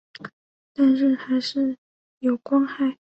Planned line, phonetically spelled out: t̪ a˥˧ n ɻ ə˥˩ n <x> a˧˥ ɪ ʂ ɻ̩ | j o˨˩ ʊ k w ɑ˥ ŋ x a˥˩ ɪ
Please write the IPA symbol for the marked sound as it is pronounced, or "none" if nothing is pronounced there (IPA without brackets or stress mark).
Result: x